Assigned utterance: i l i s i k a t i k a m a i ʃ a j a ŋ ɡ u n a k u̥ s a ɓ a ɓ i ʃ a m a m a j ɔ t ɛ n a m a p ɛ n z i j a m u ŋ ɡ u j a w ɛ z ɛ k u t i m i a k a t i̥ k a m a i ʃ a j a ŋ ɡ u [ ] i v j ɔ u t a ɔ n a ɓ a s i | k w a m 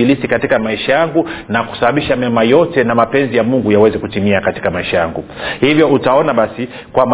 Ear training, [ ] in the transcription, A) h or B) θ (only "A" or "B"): A